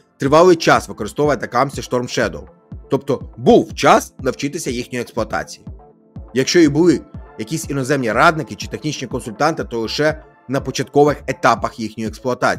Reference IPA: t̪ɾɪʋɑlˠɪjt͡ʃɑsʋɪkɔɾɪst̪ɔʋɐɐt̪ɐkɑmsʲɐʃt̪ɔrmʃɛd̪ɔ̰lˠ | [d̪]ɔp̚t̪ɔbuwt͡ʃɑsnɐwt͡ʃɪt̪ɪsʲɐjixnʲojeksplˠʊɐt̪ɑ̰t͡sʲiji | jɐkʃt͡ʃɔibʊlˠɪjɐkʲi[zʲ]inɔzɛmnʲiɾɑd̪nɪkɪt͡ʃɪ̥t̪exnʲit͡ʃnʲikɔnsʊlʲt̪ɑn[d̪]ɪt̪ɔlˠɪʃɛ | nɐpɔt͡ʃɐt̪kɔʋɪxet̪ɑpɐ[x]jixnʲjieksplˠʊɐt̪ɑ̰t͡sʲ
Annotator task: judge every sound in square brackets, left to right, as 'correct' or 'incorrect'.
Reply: incorrect: t̪, incorrect: sʲ, incorrect: t̪, correct

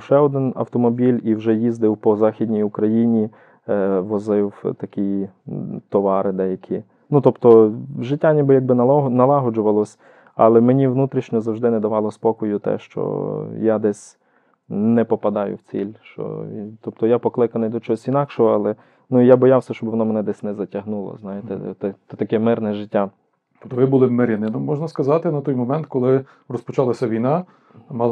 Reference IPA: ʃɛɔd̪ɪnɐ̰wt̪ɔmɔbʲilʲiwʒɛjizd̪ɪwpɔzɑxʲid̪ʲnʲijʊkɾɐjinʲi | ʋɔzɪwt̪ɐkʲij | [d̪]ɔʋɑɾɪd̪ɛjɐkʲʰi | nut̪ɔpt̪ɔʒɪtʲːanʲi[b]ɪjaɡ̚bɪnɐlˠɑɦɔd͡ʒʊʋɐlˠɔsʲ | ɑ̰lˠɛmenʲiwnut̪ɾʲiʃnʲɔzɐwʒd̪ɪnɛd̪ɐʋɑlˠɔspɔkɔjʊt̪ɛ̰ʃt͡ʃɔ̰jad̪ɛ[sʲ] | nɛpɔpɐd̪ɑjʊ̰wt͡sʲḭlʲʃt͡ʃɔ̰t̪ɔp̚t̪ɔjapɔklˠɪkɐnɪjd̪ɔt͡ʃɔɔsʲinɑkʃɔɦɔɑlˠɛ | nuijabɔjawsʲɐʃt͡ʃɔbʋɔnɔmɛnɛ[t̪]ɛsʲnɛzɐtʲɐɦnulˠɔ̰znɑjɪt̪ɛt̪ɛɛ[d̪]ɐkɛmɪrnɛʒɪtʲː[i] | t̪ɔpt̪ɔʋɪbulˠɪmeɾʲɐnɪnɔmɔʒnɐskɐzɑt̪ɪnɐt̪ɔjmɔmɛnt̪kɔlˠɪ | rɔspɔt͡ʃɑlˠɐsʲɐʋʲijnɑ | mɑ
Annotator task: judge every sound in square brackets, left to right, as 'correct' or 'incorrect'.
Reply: incorrect: t̪, correct, correct, incorrect: d̪, incorrect: t̪, incorrect: a

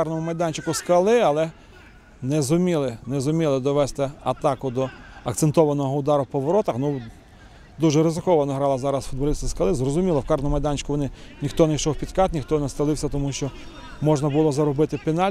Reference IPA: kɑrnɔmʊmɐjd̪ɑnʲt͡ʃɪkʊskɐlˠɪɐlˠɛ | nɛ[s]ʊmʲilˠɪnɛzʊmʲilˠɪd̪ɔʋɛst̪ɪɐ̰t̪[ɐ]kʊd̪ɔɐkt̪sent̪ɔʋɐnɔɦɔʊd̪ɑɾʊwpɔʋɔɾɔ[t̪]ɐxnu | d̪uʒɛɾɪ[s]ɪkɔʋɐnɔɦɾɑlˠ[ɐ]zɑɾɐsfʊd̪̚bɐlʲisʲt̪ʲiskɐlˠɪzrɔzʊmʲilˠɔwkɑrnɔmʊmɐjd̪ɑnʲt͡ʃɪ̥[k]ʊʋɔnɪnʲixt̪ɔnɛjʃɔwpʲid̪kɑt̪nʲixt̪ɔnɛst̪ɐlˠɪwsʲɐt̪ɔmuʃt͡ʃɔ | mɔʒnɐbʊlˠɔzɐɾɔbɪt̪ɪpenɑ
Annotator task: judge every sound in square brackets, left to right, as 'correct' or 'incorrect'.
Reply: incorrect: z, incorrect: ɑ, correct, incorrect: z, correct, correct

